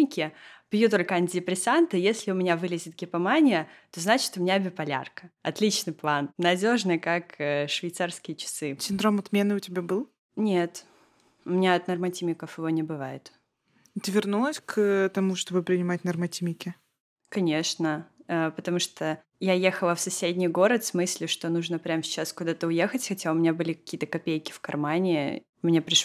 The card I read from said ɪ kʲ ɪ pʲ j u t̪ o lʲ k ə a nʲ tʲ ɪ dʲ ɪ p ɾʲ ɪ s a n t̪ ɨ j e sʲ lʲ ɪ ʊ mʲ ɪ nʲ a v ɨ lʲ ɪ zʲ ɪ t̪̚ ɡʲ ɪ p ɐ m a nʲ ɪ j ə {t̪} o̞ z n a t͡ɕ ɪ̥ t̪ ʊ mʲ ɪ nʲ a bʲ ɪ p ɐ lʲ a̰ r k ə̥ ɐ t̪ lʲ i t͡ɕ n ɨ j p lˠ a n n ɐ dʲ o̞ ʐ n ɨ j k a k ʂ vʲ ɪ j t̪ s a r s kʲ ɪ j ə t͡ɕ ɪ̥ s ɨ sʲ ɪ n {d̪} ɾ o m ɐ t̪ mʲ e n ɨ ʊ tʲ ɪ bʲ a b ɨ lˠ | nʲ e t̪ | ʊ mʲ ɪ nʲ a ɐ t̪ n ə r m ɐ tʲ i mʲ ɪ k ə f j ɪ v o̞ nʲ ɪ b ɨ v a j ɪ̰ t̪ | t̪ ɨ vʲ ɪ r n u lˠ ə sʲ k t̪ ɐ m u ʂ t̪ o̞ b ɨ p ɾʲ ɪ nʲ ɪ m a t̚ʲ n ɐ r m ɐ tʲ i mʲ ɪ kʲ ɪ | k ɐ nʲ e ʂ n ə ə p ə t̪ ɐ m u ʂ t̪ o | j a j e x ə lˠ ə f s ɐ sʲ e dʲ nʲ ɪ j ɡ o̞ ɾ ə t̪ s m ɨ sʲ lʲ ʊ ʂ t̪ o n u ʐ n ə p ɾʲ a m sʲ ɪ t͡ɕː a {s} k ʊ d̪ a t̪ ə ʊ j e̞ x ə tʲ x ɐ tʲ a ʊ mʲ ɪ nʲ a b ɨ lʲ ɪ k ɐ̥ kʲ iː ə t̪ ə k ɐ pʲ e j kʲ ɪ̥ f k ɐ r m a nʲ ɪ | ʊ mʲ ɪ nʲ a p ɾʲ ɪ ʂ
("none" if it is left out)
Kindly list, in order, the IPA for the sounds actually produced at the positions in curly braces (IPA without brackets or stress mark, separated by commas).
t̪, d̪, s